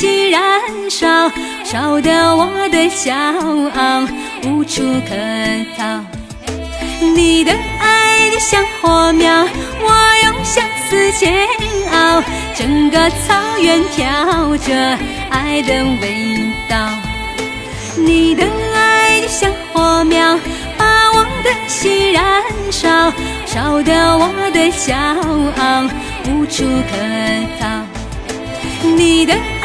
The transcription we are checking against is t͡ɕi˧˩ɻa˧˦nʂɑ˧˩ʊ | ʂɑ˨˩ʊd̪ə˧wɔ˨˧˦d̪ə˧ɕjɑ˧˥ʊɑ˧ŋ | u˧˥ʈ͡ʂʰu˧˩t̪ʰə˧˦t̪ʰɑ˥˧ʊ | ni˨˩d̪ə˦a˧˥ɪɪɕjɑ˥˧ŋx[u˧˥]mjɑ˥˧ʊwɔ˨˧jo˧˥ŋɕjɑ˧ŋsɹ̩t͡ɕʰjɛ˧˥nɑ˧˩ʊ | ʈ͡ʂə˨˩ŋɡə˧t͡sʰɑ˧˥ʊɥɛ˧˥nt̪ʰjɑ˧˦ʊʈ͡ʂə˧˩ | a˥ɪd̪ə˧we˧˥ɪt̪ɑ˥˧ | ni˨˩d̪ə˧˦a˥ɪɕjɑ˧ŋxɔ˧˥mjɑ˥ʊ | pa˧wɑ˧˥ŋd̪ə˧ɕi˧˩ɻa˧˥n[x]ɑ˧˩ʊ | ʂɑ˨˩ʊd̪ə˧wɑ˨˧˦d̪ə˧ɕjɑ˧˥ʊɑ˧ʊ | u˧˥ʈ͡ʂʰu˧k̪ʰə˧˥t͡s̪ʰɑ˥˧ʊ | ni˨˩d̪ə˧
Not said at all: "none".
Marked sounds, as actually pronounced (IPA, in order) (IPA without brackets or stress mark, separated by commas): ɔ˧˥, ʂ